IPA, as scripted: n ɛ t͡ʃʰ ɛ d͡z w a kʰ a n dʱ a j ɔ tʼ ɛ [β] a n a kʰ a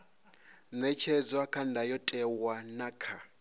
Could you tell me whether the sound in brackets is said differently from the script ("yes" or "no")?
yes